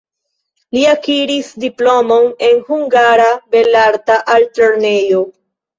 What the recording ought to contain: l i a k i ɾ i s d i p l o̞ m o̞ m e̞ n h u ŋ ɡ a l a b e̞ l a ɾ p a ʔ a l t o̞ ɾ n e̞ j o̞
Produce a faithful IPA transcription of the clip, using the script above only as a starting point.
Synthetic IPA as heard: l i a k i ɾ i s d i p l o̞ m o̞ n e̞ n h u ŋ ɡ a ɾ a b e̞ l a ɾ t a ʔ a l t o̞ ɾ n e̞ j o̞